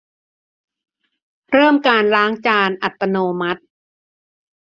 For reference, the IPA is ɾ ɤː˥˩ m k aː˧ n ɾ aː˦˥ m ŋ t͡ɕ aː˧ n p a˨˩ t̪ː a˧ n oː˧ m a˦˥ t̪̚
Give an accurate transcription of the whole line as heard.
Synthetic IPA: ɾ ɤː˥˩ m k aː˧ n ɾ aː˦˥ ŋ t͡ɕ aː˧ n ʔ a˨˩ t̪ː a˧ n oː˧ m a˦˥ t̪̚